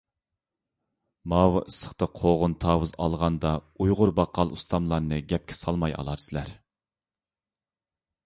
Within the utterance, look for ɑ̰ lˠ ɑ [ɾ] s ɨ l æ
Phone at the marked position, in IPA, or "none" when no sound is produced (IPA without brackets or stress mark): ɾ